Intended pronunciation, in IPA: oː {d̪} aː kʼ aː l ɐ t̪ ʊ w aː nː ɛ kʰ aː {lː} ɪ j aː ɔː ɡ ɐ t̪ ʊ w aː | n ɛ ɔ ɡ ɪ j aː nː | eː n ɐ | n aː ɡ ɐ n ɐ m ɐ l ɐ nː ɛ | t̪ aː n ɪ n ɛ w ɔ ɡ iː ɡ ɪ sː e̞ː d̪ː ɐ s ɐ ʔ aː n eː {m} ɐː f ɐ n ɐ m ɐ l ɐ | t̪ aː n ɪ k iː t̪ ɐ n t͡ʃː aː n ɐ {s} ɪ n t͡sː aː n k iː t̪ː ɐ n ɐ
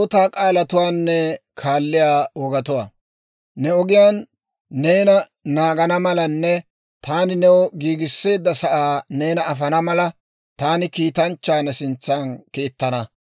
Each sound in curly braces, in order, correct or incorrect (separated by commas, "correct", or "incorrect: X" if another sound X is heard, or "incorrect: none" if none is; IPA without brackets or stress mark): incorrect: t̪, correct, incorrect: n, correct